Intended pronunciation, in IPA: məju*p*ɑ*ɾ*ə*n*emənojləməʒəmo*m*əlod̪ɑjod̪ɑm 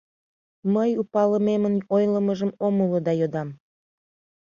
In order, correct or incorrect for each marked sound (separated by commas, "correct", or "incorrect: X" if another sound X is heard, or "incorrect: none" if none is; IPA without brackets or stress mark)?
correct, incorrect: l, incorrect: m, correct